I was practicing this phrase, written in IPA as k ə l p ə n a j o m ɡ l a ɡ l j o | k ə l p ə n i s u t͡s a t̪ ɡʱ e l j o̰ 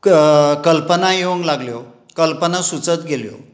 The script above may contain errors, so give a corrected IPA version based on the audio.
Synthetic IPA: k ə l p ə n a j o ŋ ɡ l a ɡ l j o | k ə l p ə n a s u t͡s ə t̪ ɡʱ e l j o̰